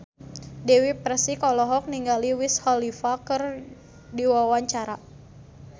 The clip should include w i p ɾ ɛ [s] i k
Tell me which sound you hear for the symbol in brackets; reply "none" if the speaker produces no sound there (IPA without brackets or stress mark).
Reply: s